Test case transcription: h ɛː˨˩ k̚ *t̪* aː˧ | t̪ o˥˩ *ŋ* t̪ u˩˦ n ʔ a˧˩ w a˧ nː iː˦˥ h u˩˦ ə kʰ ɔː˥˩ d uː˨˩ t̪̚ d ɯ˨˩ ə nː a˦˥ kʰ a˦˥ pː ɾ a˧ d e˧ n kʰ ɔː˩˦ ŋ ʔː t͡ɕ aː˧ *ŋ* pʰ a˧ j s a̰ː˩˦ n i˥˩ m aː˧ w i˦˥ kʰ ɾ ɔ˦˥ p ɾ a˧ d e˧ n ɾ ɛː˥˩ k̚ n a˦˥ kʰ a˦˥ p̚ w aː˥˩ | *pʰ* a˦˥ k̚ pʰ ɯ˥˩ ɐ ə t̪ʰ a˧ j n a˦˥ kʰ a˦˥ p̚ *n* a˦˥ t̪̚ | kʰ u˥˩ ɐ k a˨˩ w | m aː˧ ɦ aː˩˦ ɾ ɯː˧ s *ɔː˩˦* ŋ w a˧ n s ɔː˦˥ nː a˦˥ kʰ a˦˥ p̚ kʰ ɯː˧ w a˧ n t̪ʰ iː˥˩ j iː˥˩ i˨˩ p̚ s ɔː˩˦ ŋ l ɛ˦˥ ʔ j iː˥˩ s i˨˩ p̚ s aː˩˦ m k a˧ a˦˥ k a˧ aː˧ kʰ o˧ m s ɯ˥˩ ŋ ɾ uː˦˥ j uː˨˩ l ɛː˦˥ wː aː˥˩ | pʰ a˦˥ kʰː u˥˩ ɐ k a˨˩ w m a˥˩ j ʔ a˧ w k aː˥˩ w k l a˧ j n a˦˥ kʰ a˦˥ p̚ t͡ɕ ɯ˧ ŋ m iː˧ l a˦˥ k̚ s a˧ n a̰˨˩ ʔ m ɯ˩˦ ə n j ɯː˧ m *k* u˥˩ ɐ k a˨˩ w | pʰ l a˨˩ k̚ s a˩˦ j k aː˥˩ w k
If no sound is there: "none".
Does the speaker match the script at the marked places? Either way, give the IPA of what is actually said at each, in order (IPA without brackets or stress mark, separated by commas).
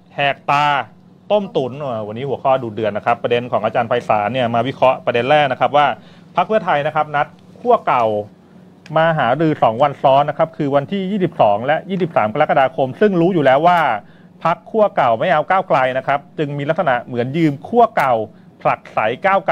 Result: t̪, m, n, pʰ, n, ɔː˩˦, kʰ